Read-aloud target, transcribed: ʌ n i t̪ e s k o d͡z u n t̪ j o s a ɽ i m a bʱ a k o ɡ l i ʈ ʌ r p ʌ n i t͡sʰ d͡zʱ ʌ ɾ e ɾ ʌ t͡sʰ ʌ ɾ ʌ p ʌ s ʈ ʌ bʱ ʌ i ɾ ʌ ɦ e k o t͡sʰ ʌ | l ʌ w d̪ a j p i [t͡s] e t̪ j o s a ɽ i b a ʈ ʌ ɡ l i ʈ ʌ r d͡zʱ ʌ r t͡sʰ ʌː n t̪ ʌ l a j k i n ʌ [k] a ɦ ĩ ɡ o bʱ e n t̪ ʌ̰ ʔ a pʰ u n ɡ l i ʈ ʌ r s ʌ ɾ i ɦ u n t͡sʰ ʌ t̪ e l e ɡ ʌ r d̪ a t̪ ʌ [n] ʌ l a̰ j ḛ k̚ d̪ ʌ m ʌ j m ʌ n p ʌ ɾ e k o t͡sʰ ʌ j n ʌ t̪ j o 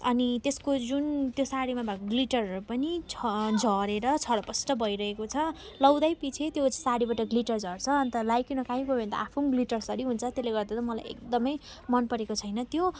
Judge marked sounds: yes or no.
no, yes, no

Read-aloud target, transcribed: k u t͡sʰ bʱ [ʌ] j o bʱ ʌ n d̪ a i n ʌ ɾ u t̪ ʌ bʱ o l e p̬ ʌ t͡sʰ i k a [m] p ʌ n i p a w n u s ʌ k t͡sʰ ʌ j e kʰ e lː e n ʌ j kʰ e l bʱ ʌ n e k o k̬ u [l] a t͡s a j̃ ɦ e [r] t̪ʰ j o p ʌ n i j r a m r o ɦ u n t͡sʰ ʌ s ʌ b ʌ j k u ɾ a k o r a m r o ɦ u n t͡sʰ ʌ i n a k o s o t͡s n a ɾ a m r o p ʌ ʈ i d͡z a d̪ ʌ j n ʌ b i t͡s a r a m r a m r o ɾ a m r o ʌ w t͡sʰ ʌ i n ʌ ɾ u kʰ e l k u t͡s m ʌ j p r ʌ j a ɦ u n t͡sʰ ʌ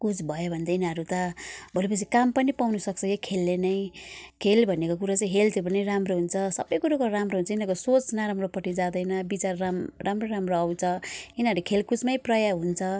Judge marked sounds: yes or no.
yes, yes, no, no

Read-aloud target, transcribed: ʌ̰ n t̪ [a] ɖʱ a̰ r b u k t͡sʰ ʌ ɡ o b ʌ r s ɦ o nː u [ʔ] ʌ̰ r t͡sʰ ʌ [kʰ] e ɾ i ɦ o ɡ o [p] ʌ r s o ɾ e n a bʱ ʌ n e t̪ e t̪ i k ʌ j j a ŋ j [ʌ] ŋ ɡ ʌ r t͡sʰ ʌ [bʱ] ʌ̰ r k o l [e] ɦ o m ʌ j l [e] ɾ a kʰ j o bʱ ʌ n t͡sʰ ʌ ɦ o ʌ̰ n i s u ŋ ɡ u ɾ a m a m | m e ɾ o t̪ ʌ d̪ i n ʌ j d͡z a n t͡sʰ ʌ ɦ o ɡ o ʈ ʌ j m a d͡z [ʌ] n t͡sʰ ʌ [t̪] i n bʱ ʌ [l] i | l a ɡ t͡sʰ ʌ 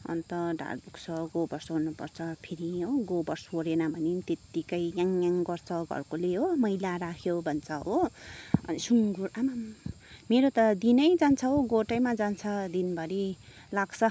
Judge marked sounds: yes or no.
no, no, no, no, no, no, yes, no, no, no, no

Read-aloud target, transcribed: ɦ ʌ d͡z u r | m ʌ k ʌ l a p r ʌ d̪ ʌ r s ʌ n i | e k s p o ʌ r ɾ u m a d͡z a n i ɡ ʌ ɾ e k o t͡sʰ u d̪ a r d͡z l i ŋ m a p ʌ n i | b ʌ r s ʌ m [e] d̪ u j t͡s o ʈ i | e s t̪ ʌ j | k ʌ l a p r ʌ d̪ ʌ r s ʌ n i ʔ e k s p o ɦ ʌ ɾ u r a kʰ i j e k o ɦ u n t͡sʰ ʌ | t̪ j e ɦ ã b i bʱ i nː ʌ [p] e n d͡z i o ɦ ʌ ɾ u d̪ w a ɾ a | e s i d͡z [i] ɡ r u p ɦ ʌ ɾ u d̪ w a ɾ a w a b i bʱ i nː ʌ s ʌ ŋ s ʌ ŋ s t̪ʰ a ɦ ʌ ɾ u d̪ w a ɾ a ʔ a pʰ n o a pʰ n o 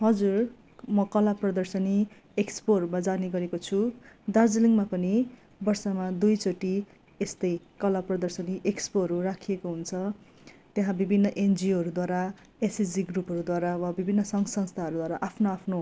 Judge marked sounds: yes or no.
no, no, yes

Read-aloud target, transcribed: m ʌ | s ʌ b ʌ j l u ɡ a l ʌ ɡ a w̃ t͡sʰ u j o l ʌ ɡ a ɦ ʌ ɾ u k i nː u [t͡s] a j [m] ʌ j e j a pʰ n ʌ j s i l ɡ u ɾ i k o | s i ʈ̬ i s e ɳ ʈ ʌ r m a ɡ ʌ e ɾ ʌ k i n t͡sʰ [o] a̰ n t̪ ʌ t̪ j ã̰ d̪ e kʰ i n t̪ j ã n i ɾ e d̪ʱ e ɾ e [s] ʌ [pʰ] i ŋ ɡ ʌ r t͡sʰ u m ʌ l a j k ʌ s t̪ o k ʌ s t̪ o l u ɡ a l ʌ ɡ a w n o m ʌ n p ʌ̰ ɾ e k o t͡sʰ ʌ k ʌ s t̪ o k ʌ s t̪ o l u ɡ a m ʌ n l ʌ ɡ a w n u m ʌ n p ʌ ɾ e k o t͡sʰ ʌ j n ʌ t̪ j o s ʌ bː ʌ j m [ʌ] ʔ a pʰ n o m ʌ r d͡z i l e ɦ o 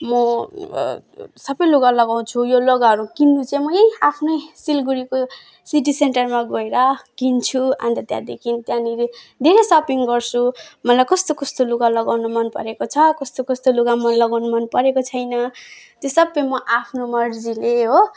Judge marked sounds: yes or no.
yes, yes, no, yes, no, yes

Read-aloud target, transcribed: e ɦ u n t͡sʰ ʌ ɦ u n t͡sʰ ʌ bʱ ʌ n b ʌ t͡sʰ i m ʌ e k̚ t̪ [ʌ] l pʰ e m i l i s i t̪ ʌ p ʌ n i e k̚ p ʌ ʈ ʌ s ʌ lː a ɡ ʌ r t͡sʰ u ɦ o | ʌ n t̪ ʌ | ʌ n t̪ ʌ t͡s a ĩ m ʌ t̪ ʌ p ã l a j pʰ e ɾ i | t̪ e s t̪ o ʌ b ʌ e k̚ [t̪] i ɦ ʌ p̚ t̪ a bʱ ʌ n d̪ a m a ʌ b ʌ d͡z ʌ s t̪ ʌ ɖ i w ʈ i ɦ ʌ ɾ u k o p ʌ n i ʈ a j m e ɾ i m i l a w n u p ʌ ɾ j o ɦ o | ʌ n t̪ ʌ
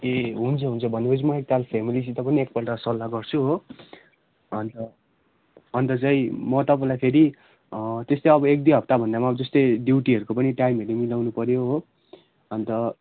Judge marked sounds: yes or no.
no, no

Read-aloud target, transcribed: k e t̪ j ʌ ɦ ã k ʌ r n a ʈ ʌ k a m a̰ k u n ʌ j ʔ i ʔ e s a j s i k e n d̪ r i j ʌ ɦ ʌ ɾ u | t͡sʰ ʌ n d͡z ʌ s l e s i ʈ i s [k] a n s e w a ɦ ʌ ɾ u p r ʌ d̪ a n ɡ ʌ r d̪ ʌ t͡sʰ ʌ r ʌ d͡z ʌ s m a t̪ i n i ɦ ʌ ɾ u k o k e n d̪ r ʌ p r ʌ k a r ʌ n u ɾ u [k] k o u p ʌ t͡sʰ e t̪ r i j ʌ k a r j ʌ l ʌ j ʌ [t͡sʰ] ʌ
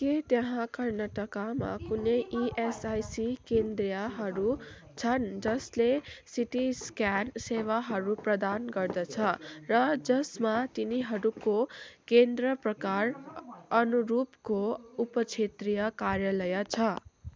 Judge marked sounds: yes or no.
yes, no, yes

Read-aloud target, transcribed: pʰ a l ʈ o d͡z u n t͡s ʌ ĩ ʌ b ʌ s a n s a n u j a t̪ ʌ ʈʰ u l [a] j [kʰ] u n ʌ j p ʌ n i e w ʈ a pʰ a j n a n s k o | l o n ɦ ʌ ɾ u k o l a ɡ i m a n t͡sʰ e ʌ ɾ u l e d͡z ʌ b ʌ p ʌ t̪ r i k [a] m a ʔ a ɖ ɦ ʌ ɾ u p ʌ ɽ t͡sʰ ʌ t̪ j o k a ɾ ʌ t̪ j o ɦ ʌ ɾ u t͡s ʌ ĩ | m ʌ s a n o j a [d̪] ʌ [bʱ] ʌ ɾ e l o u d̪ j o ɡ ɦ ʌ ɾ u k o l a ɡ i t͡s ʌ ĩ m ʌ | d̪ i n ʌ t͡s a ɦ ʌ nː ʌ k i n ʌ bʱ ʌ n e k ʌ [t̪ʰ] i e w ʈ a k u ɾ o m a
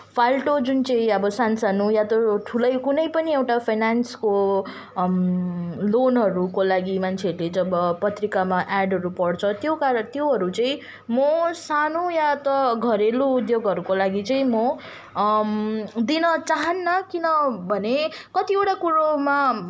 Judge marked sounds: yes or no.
no, no, yes, no, no, no

